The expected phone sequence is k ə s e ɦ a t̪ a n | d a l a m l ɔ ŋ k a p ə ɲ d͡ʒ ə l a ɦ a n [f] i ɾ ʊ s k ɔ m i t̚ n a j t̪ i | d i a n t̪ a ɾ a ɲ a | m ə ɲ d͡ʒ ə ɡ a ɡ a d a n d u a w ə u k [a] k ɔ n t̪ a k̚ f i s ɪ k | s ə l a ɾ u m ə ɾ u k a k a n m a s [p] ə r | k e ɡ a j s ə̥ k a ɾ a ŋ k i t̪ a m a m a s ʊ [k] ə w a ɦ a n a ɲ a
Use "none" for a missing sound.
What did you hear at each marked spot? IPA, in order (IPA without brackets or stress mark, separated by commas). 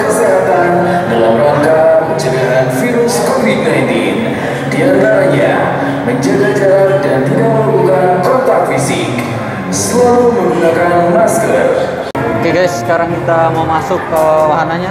f, a, k, k